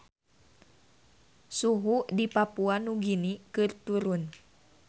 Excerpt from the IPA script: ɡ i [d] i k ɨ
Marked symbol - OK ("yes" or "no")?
no